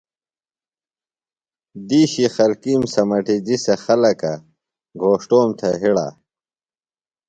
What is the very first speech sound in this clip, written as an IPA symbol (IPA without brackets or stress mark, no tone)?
d̪